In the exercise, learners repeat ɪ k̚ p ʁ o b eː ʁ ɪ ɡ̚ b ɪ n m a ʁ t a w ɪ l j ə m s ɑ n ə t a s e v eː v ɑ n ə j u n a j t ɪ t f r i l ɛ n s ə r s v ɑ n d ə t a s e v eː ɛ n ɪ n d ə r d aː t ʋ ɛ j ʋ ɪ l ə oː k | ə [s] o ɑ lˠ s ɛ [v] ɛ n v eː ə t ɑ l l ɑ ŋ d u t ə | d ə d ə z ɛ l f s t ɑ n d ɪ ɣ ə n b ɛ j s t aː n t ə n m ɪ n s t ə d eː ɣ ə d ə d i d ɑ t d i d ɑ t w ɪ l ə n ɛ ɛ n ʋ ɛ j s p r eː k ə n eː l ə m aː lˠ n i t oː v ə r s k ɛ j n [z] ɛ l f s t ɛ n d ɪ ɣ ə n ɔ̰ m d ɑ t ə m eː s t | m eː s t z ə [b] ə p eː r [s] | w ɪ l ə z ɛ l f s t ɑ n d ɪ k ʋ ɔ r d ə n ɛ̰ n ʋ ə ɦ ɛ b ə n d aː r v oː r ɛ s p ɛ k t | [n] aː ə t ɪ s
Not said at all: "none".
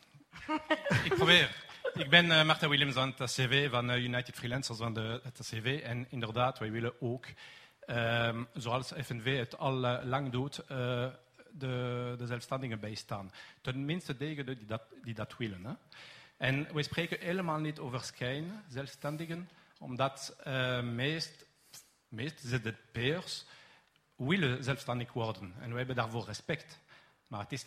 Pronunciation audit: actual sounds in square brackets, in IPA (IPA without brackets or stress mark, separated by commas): z, f, z, d, s, m